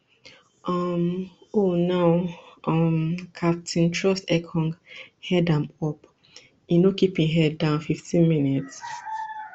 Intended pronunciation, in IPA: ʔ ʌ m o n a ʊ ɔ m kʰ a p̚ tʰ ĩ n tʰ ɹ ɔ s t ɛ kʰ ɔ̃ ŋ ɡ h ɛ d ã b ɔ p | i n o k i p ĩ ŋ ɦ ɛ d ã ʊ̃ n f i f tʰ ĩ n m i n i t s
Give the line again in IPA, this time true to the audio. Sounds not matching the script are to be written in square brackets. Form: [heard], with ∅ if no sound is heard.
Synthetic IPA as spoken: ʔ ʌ m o n a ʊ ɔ m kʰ a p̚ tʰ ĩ n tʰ ɹ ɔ s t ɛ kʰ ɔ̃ ŋ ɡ h ɛ d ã [m] ɔ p | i n o k i p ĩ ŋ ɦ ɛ d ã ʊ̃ n f i f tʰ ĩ n m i n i t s